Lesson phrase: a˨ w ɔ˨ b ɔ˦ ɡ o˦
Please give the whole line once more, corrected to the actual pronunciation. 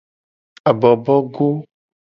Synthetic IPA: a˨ b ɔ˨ b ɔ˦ ɡ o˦